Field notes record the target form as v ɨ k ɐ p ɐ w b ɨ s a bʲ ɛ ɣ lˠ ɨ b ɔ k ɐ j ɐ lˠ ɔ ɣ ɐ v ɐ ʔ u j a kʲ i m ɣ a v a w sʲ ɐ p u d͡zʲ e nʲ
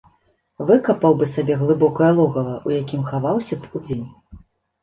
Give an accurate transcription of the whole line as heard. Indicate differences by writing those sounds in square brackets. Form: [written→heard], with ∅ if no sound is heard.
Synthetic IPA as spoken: v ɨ k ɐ p ɐ w b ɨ s a bʲ ɛ ɣ lˠ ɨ b ɔ k ɐ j ɐ lˠ ɔ ɣ ɐ v ɐ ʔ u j a kʲ i m [ɣ→x] a v a w sʲ ɐ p u d͡zʲ e nʲ